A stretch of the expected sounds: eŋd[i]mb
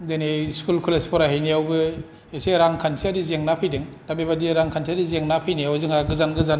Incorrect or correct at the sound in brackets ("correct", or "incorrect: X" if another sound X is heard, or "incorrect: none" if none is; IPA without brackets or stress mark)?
incorrect: a